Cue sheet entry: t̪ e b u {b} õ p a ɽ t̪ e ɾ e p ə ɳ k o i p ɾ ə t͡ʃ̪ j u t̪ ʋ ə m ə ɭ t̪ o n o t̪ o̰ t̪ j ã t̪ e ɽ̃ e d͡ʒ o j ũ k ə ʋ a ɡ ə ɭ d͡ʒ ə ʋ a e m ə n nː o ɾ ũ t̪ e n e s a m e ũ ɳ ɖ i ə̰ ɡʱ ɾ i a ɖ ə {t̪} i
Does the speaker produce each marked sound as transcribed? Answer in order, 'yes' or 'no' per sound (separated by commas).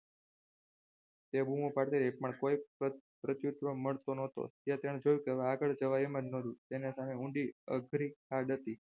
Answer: no, yes